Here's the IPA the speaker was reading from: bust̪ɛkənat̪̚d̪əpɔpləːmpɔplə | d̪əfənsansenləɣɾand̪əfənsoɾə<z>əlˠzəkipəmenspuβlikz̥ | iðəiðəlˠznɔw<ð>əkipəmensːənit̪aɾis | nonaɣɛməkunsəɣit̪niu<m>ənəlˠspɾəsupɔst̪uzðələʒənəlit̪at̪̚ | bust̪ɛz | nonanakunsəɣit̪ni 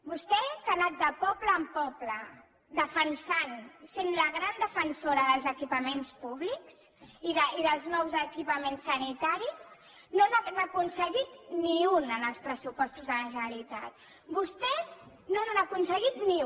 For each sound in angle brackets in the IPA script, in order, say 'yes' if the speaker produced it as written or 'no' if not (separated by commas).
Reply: no, no, no